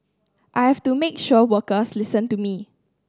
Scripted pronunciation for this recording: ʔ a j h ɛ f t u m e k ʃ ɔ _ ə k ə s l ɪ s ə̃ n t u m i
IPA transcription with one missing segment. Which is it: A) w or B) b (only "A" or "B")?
A